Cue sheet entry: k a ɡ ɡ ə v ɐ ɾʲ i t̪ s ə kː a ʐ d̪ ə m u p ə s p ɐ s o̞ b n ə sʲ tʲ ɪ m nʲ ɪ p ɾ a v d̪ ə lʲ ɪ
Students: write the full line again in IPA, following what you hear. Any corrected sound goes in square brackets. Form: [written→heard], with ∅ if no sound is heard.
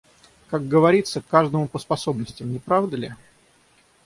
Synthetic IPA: k a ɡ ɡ ə v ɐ ɾʲ i t̪ s ə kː a ʐ d̪ ə m [u→ʊ] p ə s p ɐ s o̞ b n ə sʲ tʲ ɪ m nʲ ɪ p ɾ a v d̪ ə lʲ ɪ